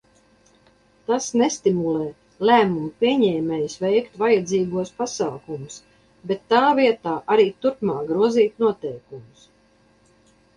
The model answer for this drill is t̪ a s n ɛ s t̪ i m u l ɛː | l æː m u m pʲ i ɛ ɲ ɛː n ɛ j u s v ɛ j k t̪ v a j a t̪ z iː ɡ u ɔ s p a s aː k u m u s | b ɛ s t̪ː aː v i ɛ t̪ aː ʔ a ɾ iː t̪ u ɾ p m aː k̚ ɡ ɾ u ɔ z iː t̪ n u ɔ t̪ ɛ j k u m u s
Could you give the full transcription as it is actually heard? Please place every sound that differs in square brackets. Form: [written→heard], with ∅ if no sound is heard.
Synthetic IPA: t̪ a s n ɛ s t̪ i m u l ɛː | l æː m u m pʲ i ɛ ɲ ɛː [n→m] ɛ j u s v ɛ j k t̪ v a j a [t̪→d̪] z iː ɡ u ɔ s p a s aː k u m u s | b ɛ [s→∅] t̪ː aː v i ɛ t̪ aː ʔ a ɾ iː t̪ u ɾ p m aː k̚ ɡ ɾ u ɔ z iː t̪ n u ɔ t̪ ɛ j k u m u s